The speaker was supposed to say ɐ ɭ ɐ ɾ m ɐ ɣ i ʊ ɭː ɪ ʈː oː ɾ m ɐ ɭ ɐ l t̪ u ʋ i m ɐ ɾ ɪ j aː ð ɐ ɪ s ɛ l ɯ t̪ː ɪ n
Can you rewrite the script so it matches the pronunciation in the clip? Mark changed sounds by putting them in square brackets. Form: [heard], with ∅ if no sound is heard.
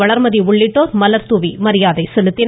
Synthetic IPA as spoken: ɐ ɭ ɐ ɾ m ɐ [ð] i ʊ ɭː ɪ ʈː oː ɾ m ɐ [l] ɐ [ɾ] t̪ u ʋ i m ɐ ɾ ɪ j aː ð ɐ ɪ s ɛ l ɯ t̪ː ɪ n